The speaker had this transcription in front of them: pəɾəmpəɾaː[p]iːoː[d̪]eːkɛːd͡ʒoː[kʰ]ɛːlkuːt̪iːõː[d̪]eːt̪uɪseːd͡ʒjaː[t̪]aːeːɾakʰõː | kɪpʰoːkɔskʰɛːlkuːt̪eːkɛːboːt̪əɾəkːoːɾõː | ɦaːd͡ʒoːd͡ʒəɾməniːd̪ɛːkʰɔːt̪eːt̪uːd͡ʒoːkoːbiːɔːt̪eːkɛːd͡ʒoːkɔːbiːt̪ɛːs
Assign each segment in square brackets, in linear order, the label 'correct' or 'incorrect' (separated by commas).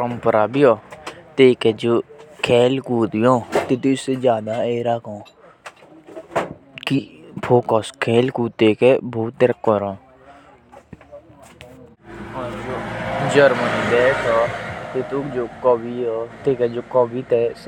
incorrect, incorrect, correct, incorrect, incorrect